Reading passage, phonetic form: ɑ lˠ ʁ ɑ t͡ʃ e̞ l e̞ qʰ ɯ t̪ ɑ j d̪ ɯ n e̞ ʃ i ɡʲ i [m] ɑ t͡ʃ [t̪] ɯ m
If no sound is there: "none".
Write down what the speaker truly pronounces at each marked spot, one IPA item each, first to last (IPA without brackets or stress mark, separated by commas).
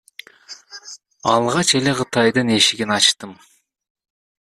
n, t̪